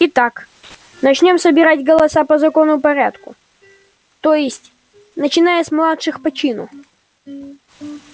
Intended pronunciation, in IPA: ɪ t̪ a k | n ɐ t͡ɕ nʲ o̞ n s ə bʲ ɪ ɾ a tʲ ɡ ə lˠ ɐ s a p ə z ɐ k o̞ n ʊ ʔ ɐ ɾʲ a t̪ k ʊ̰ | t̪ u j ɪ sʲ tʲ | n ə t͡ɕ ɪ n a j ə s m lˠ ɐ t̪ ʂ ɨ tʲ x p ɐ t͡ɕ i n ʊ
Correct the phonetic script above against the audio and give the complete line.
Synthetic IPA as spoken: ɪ t̪ a k | n ɐ t͡ɕ nʲ o̞ m s ə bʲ ɪ ɾ a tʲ ɡ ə lˠ ɐ s a p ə z ɐ k o̞ n ʊ p ɐ ɾʲ a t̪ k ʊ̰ | t̪ o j ɪ sʲ tʲ | n ə t͡ɕ ɪ n a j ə s m lˠ a t̪ ʂ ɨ x p ɐ t͡ɕ i n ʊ